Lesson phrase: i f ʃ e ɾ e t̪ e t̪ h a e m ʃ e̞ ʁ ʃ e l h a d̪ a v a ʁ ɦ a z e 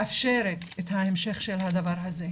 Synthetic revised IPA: a f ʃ e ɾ e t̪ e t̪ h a e m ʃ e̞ χ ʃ e l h a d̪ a v a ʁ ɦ a z e